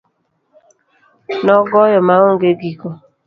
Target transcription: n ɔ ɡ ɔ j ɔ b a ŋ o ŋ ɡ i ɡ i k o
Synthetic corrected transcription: n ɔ ɡ ɔ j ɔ m a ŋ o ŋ ɡ e ɡ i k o